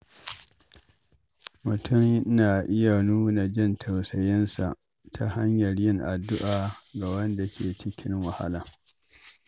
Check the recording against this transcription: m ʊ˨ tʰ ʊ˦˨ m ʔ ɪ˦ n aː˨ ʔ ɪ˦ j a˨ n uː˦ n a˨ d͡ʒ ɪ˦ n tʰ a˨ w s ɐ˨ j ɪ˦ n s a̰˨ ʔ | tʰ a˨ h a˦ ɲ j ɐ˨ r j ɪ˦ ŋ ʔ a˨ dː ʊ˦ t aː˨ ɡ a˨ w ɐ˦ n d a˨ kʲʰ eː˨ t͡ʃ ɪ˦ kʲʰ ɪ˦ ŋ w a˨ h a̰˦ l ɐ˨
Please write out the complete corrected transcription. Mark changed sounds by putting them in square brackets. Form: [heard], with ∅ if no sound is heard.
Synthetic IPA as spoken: m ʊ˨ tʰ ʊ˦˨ m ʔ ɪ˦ n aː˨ ʔ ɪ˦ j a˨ n uː˦ n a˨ d͡ʒ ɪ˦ n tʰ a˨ w s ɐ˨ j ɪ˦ n s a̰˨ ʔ | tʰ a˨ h a˦ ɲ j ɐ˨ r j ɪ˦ ŋ ʔ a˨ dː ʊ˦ [ʔ] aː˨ ɡ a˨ w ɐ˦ n d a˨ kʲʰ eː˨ t͡ʃ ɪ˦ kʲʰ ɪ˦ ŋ w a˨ h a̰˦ l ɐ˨